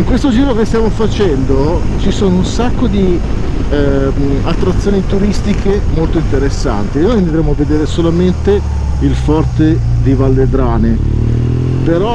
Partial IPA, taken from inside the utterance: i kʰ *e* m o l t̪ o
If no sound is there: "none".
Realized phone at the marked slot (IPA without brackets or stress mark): e